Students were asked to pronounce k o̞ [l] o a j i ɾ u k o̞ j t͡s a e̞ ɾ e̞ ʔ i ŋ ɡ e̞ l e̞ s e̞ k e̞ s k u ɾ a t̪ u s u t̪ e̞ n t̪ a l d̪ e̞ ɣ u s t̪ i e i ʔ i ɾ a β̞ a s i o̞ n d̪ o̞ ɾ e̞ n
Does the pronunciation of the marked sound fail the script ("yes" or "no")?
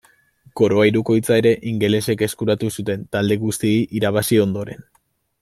yes